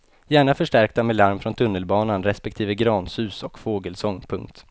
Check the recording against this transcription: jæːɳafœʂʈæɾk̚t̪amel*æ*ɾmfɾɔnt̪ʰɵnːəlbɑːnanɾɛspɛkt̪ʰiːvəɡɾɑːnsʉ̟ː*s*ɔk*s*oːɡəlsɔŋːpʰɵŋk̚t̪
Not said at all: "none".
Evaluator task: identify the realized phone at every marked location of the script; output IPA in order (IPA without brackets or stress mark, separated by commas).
a, s, f